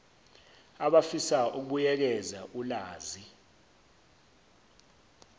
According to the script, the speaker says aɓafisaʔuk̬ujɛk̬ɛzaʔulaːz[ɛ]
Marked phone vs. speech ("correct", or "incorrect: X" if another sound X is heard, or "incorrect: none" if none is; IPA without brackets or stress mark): incorrect: i